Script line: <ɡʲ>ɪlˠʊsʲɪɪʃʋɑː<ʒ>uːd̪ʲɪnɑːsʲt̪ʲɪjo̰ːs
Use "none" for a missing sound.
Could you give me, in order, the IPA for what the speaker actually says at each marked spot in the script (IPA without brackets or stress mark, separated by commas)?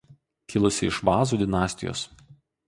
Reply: kʲ, z